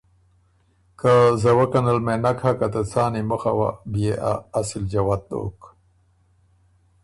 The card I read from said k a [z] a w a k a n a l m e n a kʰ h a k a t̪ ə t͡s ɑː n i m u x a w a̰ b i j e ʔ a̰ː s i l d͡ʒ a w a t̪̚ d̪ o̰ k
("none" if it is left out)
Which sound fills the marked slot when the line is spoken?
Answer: z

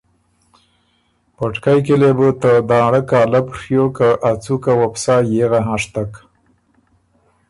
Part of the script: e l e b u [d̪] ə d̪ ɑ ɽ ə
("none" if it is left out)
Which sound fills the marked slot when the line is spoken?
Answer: t̪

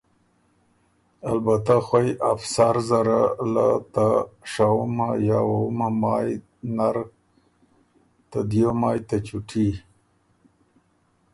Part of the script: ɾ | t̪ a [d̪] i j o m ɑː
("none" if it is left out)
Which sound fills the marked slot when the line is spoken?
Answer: d̪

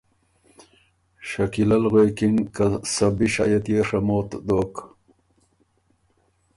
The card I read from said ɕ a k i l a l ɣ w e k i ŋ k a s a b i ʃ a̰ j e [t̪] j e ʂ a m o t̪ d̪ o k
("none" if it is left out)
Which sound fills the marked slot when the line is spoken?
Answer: t̪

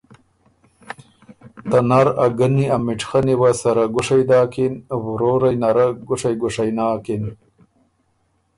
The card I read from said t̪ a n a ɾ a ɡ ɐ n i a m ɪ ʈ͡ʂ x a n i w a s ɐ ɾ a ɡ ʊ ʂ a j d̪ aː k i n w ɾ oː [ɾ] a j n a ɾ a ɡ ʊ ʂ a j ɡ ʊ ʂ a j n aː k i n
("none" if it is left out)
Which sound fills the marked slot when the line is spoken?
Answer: ɾ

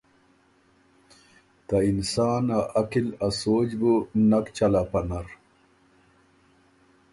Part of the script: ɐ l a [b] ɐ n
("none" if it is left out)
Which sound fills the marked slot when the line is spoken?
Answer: p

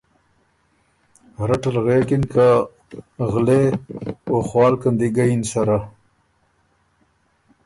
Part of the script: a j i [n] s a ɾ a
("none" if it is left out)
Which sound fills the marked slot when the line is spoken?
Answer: n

